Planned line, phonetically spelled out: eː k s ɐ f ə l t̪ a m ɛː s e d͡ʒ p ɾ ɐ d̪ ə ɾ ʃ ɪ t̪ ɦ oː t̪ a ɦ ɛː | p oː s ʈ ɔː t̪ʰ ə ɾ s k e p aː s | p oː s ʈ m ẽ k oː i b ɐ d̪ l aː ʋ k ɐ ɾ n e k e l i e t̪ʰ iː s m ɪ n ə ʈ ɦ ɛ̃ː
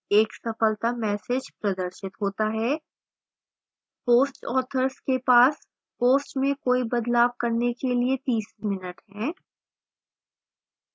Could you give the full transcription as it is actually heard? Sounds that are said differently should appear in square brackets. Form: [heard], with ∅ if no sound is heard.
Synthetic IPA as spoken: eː k s ɐ f ə l t̪ a m ɛː s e d͡ʒ p ɾ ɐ d̪ ə ɾ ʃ ɪ t̪ ɦ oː t̪ a ɦ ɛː | p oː s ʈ ɔː t̪ʰ ə ɾ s k e p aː s | p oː s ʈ m ẽ k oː i b ɐ d̪ l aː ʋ k ɐ ɾ n e k e l i e [t̪] iː s m ɪ n ə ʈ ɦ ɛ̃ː